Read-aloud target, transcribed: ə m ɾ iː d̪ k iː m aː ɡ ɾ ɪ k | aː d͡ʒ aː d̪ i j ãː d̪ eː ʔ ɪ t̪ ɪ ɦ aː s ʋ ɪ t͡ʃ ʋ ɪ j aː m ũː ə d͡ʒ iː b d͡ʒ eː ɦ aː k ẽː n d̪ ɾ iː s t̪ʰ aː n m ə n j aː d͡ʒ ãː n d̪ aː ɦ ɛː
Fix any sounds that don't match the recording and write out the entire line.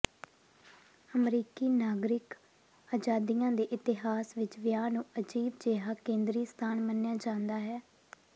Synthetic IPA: ə m ɾ iː k iː n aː ɡ ɾ ɪ k | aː d͡ʒ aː d̪ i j ãː d̪ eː ʔ ɪ t̪ ɪ ɦ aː s ʋ ɪ t͡ʃ ʋ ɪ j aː n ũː ə d͡ʒ iː b d͡ʒ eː ɦ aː k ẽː n d̪ ɾ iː s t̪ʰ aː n m ə n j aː d͡ʒ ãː n d̪ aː ɦ ɛː